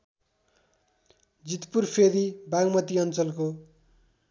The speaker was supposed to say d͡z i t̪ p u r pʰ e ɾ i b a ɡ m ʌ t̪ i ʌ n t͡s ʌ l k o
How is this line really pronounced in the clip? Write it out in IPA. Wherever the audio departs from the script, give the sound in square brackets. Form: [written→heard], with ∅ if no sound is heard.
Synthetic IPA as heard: d͡z i t̪ p u r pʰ e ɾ i b a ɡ m ʌ t̪ i ʌ n t͡s ʌ l k o